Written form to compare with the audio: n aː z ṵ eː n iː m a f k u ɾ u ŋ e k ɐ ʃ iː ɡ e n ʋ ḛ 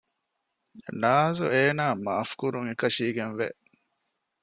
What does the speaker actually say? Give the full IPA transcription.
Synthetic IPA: n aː z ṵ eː n aː m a f k u ɾ u ŋ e k ɐ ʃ iː ɡ e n ʋ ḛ